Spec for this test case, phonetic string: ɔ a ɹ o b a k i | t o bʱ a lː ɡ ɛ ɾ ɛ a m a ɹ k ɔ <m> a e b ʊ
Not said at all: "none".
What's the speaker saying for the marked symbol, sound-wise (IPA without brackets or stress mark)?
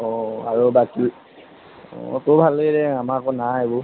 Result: n